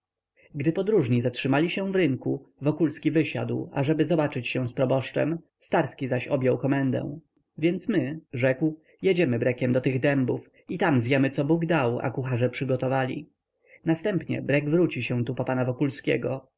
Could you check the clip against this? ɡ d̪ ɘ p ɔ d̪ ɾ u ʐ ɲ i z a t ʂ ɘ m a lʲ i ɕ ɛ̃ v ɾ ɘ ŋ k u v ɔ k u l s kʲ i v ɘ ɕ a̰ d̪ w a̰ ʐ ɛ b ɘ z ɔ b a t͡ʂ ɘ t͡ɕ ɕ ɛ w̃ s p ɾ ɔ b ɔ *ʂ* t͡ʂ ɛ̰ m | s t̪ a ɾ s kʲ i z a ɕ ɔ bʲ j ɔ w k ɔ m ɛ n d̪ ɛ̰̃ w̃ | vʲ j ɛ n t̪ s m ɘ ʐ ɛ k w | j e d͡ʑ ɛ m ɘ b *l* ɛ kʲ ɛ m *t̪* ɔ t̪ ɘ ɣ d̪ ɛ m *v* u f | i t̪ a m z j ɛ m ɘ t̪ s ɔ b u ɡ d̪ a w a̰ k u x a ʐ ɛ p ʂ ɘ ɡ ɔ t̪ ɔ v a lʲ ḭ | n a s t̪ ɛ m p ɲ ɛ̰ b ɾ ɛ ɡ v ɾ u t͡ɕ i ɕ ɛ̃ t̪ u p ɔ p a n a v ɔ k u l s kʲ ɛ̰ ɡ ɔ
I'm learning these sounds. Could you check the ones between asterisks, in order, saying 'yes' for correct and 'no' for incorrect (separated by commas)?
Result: yes, no, no, no